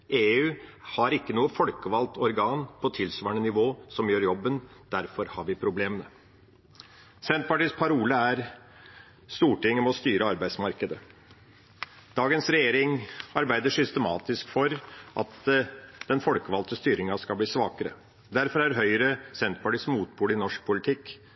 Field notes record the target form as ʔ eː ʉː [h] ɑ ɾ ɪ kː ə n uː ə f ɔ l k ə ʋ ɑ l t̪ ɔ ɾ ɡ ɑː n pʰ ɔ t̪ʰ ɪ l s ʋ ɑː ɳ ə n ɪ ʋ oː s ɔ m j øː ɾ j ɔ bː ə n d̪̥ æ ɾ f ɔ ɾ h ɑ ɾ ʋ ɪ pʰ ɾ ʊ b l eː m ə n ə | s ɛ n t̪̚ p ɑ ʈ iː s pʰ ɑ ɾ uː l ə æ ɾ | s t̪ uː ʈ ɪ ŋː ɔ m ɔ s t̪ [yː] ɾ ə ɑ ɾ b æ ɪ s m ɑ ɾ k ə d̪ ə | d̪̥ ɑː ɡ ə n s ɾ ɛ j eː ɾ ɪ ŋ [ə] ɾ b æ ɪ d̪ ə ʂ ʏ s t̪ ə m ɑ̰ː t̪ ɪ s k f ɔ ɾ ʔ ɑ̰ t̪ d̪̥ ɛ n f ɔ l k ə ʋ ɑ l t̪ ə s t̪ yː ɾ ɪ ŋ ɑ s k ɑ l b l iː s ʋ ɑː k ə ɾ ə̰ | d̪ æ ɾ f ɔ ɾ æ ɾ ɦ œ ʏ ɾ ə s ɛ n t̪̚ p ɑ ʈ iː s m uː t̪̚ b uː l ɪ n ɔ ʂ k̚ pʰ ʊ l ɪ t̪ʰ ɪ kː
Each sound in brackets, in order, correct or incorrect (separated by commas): correct, correct, incorrect